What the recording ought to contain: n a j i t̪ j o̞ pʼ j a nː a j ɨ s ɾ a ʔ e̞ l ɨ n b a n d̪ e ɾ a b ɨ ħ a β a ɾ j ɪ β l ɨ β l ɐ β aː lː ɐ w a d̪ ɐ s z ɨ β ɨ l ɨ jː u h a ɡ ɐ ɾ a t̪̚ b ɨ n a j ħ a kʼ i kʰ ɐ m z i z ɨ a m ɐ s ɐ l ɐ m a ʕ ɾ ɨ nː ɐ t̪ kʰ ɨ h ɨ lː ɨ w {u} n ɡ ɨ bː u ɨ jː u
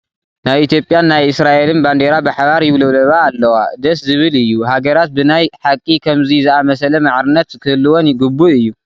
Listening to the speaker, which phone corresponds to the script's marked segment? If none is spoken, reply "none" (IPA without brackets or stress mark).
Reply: o